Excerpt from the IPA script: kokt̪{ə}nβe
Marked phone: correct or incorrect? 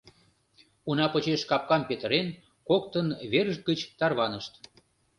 correct